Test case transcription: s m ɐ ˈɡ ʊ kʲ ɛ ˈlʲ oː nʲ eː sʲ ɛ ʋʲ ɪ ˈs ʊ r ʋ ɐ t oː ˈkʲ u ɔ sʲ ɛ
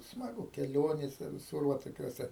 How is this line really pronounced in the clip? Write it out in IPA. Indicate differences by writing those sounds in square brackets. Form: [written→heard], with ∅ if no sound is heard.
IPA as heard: s m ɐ ˈɡ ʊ kʲ ɛ ˈlʲ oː nʲ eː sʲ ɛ ʋʲ ɪ ˈs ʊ r ʋ ɐ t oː ˈkʲ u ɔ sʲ ɛ